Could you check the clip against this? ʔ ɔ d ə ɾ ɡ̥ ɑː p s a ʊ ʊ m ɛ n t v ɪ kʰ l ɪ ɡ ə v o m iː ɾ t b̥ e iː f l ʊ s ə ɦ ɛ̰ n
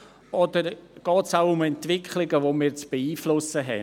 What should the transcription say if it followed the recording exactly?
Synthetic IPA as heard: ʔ ɔ d ə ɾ ɡ̥ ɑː t s a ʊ ʊ m ɛ n t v ɪ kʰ l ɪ ɡ ə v o m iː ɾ t͡s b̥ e iː f l ʊ s ə ɦ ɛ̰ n